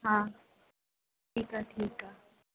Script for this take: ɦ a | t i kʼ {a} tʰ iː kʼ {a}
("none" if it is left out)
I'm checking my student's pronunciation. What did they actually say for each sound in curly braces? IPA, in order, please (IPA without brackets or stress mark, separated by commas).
a, a